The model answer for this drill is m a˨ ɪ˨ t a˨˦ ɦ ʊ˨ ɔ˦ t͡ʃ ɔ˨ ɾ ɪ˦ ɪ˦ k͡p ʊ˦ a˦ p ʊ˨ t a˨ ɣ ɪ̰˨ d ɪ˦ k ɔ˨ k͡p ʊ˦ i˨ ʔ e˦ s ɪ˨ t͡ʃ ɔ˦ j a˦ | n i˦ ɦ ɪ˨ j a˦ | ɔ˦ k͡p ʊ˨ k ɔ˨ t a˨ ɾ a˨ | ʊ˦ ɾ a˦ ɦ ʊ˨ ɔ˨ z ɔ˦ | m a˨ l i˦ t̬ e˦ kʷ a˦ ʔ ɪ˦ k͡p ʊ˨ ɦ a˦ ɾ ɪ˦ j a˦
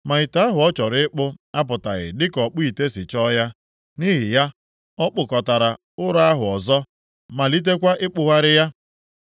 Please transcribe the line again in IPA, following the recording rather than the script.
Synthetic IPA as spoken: m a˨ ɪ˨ t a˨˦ ɦ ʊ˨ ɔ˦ t͡ʃ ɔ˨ ɾ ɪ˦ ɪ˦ k͡p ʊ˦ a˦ p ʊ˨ t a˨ ɣ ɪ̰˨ d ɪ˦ k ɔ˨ k͡p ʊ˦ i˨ t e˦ s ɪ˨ t͡ʃ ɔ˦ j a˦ | n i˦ ɦ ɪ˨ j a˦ | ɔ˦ k͡p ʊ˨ k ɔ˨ t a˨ ɾ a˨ | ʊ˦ ɾ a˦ ɦ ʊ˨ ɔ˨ z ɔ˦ | m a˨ l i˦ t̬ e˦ kʷ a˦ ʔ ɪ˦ k͡p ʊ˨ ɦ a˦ ɾ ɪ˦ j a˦